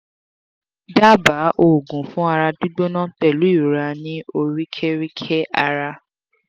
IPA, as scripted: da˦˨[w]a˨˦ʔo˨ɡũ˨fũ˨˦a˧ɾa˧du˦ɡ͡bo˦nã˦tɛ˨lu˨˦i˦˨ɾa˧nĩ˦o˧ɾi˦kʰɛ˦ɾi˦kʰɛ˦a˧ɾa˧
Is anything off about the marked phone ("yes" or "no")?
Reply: yes